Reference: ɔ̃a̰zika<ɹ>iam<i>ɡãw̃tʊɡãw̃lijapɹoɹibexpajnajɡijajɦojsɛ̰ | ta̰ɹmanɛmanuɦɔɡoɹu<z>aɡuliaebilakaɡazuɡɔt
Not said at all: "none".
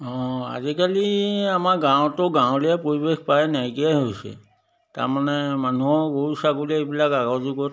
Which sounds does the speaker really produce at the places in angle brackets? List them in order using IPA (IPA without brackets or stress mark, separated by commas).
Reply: l, a, s